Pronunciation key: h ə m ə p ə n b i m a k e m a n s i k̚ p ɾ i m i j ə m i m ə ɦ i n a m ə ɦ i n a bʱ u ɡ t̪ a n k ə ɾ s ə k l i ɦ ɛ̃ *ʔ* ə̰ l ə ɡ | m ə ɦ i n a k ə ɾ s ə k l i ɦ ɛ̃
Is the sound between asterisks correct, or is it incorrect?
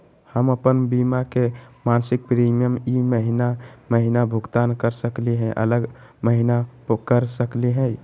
correct